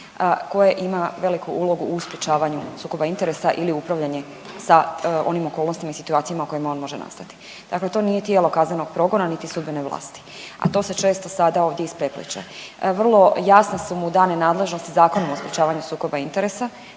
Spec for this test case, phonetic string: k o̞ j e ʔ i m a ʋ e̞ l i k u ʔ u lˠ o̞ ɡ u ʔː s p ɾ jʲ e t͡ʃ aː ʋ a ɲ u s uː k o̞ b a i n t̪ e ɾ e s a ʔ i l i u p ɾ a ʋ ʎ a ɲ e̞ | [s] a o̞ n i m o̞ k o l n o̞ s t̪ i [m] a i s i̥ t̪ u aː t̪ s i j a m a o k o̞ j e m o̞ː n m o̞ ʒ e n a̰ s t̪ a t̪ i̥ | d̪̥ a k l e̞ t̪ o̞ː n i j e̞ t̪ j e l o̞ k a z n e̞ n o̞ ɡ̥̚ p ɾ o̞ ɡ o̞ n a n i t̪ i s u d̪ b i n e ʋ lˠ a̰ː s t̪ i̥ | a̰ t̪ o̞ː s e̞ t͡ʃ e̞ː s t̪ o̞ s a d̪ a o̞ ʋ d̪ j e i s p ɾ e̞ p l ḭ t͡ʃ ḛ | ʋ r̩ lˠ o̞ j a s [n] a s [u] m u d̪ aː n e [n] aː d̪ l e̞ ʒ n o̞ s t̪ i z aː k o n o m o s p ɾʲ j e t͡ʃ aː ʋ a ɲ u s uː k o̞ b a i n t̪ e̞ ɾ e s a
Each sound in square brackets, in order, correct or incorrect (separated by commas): correct, correct, correct, correct, correct